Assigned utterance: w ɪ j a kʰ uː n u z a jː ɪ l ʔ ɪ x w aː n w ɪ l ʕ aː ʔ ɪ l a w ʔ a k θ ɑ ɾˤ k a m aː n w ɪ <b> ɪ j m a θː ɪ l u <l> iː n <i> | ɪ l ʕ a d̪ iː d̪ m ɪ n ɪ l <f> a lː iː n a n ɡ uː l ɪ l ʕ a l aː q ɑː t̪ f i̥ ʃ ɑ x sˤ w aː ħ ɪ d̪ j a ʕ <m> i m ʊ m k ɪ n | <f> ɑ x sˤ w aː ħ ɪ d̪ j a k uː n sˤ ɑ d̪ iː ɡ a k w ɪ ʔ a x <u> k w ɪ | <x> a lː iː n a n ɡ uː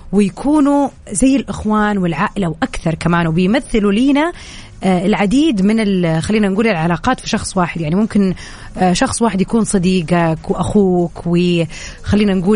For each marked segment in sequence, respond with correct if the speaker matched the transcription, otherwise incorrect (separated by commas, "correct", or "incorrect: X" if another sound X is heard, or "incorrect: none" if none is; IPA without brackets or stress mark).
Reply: correct, correct, incorrect: a, incorrect: x, incorrect: n, incorrect: ʃ, incorrect: uː, correct